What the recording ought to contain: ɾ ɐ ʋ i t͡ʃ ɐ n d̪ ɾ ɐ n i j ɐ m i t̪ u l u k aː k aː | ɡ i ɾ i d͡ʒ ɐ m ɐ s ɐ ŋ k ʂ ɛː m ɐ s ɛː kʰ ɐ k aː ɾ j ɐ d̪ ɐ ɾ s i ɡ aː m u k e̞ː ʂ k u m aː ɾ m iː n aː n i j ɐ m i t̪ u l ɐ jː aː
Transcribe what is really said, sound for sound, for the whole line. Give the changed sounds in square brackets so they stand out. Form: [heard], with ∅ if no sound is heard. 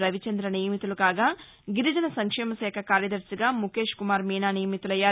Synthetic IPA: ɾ ɐ ʋ i t͡ʃ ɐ n d̪ ɾ ɐ n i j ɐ m i t̪ u l u k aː [ɡ] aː | ɡ i ɾ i d͡ʒ ɐ [n] ɐ s ɐ ŋ k ʂ ɛː m ɐ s ɛː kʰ ɐ k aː ɾ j ɐ d̪ ɐ ɾ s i ɡ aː m u k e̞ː ʂ k u m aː ɾ m iː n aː n i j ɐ m i t̪ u l ɐ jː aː